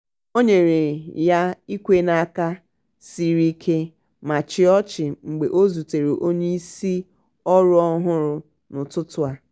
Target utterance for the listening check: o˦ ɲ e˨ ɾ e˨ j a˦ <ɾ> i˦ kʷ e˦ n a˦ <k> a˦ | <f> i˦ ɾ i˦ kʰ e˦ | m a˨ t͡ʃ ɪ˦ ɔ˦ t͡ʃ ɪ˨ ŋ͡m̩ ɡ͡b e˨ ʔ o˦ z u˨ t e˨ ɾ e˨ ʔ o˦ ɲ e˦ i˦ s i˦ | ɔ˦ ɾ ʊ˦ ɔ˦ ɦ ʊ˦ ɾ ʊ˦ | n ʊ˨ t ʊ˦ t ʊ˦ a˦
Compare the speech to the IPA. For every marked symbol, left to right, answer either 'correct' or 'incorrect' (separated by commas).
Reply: incorrect, correct, incorrect